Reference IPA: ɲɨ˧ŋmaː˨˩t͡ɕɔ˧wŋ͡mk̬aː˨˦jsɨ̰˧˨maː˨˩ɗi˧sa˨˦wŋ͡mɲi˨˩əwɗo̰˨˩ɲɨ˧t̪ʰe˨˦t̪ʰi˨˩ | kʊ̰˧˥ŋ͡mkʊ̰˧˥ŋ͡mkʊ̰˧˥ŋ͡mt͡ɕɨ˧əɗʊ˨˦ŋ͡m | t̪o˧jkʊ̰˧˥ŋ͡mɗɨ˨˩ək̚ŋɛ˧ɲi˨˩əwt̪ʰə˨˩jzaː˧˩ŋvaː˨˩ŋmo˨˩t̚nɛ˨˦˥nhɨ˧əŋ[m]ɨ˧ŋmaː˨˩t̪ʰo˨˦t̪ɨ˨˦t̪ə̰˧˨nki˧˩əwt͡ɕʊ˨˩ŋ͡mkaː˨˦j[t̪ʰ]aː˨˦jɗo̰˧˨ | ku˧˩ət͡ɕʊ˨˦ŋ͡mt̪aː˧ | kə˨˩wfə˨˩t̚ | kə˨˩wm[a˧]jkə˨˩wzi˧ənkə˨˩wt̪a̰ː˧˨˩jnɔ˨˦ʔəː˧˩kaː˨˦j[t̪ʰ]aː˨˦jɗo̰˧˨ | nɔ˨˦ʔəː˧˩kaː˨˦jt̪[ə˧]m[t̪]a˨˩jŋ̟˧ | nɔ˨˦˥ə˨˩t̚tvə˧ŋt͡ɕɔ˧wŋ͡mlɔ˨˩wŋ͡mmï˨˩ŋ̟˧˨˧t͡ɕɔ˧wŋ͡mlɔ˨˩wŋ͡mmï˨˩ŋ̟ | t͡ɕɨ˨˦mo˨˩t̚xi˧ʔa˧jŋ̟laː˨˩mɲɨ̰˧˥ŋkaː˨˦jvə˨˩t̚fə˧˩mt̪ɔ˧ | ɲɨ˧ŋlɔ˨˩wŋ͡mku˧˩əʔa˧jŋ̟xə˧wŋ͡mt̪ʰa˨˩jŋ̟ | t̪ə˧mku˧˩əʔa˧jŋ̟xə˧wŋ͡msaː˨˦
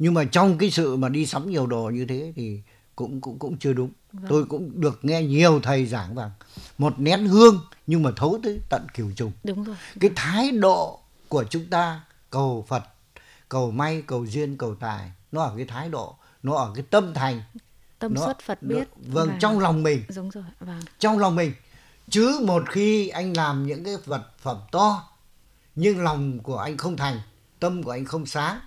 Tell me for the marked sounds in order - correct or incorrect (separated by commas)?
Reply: incorrect, correct, correct, correct, correct, incorrect